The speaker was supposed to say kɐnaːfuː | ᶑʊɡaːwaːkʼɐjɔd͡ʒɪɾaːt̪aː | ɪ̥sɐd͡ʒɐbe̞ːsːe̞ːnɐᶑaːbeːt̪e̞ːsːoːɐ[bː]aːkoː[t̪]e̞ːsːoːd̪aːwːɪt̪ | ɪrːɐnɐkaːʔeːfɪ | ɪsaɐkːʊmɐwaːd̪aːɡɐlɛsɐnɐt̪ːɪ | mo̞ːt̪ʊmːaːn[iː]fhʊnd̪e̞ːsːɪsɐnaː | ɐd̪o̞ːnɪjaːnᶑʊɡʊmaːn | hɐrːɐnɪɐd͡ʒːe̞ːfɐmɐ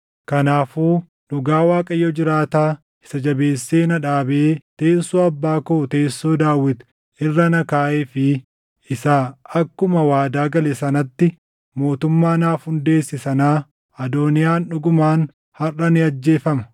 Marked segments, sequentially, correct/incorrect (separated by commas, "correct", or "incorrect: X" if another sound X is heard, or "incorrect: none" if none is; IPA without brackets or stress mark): correct, correct, incorrect: aː